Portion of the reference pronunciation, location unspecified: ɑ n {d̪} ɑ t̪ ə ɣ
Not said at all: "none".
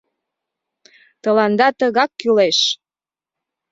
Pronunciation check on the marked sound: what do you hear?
d̪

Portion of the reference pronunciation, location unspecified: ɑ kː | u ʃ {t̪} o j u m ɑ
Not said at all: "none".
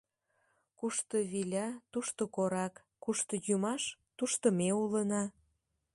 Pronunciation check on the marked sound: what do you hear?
t̪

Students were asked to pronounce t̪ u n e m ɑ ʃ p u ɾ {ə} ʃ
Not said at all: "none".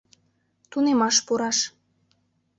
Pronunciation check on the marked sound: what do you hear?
ɑ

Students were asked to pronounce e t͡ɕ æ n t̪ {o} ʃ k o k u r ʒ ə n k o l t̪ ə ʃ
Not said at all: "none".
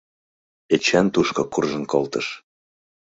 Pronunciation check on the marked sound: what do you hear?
u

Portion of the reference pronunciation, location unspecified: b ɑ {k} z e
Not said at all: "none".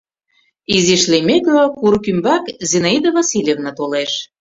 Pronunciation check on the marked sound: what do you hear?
k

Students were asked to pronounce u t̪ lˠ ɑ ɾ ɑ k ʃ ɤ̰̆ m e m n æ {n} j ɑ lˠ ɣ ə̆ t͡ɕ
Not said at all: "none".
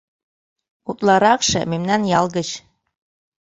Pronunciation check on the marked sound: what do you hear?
n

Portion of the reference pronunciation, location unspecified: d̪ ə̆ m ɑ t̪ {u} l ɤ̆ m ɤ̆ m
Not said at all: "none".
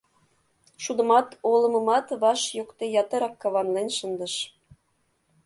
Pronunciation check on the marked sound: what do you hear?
o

